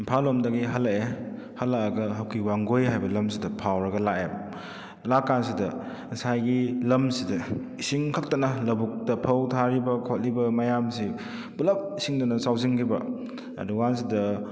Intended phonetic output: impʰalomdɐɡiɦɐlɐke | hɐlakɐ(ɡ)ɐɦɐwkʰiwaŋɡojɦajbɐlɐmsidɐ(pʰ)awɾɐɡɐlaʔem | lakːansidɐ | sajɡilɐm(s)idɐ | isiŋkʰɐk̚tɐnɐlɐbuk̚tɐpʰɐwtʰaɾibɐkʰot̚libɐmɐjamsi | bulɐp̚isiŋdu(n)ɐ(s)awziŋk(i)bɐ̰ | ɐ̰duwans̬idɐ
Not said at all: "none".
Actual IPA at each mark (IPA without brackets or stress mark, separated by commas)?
ɡ, pʰ, s, n, s, i